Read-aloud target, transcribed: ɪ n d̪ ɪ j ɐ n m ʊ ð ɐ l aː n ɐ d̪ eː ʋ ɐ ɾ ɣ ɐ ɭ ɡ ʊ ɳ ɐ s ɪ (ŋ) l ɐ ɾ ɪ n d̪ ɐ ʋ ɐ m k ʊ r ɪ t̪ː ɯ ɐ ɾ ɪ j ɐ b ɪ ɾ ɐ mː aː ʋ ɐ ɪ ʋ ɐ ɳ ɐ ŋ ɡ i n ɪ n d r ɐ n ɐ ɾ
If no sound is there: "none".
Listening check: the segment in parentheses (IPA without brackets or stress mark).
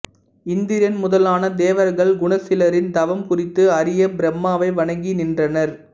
none